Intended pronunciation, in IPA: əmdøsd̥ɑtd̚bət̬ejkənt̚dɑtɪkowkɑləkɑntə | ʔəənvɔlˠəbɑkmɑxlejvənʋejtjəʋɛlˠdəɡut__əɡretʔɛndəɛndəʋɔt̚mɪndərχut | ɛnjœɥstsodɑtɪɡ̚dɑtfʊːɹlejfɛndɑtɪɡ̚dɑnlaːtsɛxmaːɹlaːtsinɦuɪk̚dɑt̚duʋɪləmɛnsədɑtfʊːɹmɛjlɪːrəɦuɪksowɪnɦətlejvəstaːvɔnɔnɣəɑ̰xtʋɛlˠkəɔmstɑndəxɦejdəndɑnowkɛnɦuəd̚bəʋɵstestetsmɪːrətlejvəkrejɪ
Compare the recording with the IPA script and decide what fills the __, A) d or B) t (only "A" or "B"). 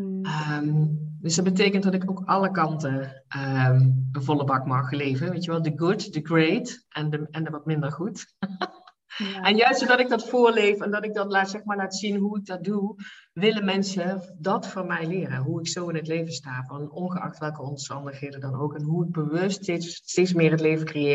A